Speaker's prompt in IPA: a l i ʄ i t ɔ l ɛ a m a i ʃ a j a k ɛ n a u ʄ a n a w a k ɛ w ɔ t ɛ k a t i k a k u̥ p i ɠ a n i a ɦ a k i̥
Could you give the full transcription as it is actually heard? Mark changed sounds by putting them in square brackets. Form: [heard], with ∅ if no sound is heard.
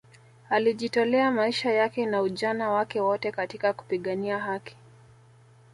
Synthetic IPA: a l i ʄ i t ɔ l ɛ a m a i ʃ a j a k ɛ n a u ʄ a n a w a k ɛ w ɔ t ɛ k a t i k a k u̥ p i ɠ a n i a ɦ a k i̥